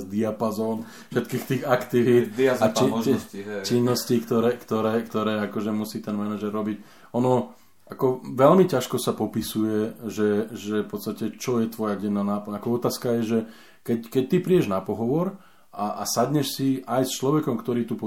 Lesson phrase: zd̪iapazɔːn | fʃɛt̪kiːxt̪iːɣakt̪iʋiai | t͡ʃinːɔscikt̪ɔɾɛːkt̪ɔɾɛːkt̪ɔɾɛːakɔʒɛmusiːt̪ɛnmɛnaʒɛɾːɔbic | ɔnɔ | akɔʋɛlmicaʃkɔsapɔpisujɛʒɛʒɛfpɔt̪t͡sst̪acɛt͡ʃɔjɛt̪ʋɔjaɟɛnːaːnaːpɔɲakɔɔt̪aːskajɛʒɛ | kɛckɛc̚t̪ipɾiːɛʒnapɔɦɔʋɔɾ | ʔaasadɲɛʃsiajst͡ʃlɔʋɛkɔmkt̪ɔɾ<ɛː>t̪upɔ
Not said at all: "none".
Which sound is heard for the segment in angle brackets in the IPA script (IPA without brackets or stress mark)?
iː